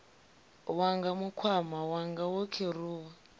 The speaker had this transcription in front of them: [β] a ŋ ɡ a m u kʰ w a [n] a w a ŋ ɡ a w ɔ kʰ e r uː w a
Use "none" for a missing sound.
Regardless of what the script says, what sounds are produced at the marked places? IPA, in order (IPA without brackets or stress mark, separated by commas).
w, m